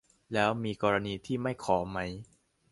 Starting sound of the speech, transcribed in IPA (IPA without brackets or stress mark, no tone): l